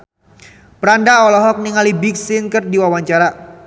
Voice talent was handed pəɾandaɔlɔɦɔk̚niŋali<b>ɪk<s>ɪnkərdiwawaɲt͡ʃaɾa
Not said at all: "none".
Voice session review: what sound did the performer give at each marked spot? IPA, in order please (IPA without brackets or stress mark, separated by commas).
b, s